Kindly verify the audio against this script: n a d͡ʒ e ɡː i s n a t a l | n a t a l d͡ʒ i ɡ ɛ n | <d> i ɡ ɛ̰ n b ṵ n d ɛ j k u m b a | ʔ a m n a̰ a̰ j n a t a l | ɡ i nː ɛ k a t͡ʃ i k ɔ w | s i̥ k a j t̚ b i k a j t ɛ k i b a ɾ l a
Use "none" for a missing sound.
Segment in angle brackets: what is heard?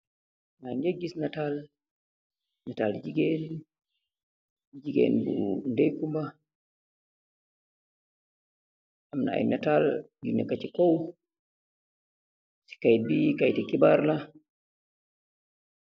d͡ʒ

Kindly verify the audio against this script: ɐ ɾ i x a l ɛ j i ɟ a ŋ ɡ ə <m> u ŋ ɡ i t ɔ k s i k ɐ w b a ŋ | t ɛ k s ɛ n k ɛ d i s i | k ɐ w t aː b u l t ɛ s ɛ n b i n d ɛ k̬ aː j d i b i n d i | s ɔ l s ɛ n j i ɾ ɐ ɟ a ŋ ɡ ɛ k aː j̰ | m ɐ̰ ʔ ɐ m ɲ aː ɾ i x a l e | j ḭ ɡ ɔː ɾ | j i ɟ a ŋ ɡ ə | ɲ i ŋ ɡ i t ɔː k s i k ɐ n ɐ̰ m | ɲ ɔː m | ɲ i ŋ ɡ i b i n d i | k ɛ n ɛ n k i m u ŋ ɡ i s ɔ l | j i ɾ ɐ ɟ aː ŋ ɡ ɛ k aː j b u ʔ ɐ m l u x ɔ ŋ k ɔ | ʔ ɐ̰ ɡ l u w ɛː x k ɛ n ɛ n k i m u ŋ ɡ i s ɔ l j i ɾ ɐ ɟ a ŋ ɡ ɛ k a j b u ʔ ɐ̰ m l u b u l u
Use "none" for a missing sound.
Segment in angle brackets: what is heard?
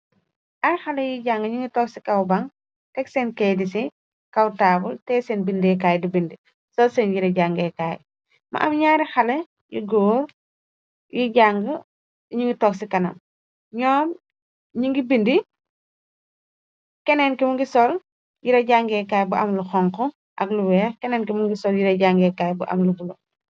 ɲ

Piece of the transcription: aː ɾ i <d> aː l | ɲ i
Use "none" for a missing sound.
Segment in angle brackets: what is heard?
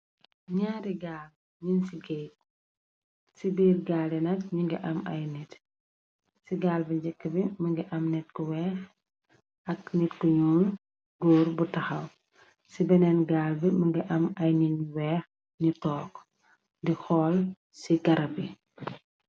ɡ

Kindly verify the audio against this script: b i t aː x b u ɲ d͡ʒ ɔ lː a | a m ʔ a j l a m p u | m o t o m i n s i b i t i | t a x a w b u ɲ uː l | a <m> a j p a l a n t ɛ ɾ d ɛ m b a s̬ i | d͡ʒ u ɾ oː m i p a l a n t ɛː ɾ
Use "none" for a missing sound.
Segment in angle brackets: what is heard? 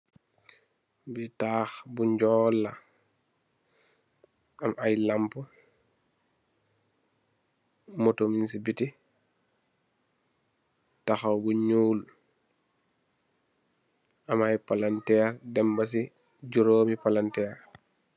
m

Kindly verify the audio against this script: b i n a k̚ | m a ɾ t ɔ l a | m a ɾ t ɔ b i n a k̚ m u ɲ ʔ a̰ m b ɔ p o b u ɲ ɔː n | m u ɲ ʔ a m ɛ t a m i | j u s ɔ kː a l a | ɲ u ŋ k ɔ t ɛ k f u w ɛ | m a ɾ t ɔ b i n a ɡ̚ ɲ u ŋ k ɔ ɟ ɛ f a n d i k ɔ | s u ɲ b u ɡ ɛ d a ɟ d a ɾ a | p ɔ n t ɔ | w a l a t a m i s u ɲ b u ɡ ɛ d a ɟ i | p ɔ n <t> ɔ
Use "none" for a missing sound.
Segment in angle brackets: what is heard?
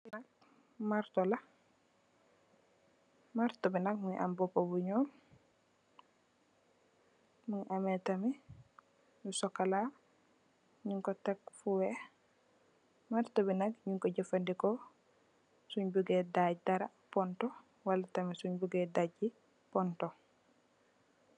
t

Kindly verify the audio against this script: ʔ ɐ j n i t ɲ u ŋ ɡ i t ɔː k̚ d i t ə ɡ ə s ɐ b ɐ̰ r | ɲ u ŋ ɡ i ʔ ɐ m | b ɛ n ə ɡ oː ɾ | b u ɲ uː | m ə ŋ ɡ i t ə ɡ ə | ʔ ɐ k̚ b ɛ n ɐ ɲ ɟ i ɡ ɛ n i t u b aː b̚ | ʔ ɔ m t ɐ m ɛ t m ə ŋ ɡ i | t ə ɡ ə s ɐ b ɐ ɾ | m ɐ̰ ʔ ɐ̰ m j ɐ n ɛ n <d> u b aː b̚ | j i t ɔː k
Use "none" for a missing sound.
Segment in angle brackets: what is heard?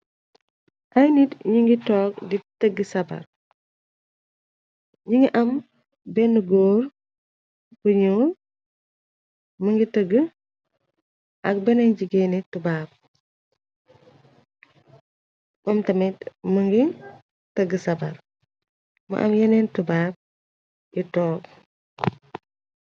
t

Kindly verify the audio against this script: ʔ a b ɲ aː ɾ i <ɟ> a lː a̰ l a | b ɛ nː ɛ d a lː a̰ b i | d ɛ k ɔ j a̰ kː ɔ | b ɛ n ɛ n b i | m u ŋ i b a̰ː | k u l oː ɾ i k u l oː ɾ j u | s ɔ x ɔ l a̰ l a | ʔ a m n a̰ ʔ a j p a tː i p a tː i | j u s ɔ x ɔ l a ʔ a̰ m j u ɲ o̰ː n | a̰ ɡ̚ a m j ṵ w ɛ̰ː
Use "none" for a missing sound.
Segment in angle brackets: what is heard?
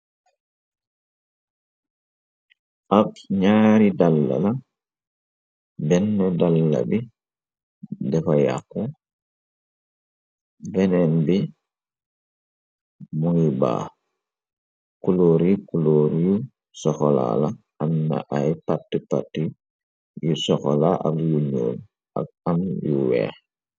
d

